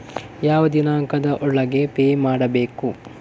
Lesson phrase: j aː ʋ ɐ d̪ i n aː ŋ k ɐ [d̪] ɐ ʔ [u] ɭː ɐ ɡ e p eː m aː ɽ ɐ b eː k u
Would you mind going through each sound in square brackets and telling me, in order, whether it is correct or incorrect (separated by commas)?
correct, incorrect